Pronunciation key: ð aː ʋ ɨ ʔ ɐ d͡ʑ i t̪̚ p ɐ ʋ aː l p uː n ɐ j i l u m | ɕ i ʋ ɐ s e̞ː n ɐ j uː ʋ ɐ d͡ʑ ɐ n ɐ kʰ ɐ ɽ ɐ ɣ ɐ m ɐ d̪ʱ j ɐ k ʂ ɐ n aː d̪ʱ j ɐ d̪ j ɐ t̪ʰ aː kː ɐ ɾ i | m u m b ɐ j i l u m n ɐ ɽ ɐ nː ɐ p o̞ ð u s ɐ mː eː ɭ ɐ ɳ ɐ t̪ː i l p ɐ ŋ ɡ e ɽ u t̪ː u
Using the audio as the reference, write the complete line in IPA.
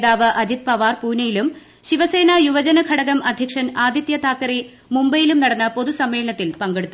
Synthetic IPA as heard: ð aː ʋ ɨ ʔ ɐ d͡ʑ i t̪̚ p ɐ ʋ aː r p uː n ɐ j i l u m | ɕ i ʋ ɐ s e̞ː n ɐ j u ʋ ɐ d͡ʑ ɐ n ɐ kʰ ɐ ɽ ɐ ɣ ɐ m ɐ d̪ʱ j ɐ k ʂ ɐ n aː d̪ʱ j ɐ t̪ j ɐ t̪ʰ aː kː ɐ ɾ i | m u m b ɐ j i l u m n ɐ ɽ ɐ nː ɐ p o̞ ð u s ɐ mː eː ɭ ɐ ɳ ɐ t̪ː i l p ɐ ŋ ɡ e ɽ u t̪ː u